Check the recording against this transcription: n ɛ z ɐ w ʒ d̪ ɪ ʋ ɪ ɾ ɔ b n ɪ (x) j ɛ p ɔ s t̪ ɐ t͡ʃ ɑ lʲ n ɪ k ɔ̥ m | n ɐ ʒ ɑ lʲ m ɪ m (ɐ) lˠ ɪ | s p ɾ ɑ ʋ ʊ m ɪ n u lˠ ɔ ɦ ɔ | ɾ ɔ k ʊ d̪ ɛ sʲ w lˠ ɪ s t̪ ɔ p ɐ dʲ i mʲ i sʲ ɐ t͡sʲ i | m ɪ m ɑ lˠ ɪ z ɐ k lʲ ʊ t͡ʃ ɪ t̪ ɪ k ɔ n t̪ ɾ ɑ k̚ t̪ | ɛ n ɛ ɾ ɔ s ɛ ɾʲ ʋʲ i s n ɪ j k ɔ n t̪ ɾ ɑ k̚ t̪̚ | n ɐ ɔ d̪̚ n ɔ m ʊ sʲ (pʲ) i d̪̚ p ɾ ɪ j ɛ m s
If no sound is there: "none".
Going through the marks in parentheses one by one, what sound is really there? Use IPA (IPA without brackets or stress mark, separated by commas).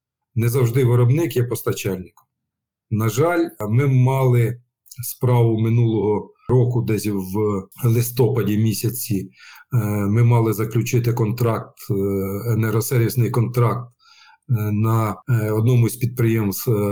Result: k, ɑ, pʲ